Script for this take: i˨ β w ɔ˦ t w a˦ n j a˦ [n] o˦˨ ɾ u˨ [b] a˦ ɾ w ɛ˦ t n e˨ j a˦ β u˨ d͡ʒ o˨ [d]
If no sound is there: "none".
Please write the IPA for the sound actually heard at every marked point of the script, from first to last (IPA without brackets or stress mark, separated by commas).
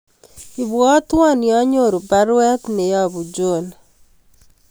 ɲ, b, n